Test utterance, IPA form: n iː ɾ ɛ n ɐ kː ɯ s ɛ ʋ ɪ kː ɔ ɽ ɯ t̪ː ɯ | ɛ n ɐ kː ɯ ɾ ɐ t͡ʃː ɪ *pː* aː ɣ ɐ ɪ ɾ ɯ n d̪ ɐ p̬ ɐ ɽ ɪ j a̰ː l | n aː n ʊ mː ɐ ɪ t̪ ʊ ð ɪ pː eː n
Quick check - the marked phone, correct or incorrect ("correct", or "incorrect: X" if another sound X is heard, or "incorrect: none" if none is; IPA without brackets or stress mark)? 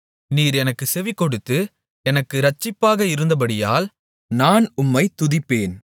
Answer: correct